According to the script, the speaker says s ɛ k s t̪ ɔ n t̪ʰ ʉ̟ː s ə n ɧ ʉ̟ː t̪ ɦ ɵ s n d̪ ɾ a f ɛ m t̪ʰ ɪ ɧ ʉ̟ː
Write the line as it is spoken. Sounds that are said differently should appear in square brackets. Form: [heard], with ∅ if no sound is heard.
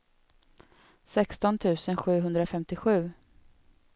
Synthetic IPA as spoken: s ɛ k s t̪ ɔ n t̪ʰ ʉ̟ː s ə n ɧ ʉ̟ː [∅] ɦ ɵ [∅] n d̪ ɾ a f ɛ m [t̪] ɪ ɧ ʉ̟ː